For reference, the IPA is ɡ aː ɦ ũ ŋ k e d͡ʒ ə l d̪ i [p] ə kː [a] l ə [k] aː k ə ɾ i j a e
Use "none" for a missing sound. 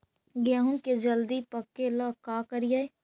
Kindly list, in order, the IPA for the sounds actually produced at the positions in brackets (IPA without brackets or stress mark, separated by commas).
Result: p, e, k